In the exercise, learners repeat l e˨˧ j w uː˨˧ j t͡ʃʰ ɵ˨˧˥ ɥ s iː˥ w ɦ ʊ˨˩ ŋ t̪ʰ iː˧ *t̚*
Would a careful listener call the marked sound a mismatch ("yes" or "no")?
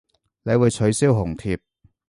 yes